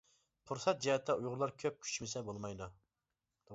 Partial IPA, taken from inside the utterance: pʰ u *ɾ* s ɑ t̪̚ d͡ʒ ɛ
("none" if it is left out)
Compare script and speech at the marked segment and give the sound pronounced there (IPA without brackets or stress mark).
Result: ɾ